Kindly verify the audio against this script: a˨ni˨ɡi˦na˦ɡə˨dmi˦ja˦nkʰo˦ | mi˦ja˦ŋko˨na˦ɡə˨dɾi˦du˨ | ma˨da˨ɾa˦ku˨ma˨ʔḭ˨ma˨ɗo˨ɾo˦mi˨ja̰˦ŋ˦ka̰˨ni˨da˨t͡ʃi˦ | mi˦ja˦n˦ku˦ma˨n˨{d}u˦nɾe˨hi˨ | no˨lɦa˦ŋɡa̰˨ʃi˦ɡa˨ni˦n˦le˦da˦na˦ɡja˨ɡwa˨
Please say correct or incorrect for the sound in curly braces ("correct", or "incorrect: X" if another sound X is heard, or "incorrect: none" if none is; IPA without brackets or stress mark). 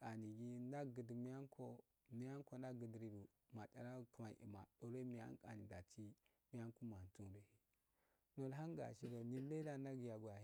incorrect: t